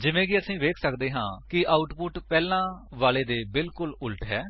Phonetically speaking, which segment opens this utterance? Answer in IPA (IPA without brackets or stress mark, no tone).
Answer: d͡ʒ